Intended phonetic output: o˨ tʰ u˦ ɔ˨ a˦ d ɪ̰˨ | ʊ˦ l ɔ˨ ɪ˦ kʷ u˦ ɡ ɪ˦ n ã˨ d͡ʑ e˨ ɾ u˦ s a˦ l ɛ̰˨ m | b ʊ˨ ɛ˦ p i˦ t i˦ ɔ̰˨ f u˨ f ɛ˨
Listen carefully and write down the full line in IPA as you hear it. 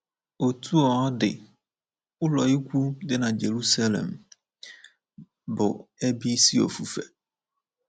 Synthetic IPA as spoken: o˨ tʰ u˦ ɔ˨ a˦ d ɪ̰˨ | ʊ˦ l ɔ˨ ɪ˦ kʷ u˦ d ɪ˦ n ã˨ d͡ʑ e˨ ɾ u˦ s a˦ l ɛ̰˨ m | b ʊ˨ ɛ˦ b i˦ s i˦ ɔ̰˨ f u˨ f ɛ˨